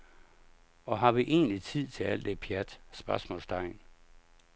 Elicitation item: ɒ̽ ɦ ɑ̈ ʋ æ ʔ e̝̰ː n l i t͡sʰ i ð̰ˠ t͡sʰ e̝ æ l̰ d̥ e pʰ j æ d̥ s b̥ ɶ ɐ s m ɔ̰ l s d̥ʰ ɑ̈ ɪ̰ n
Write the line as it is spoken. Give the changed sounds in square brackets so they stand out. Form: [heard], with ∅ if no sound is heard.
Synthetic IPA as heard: ɒ̽ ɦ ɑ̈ ʋ [i] ʔ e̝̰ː n l i t͡sʰ i ð̰ˠ t͡sʰ e̝ æ l̰ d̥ e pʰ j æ d̥ s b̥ ɶ ɐ s m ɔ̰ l s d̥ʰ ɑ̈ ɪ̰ n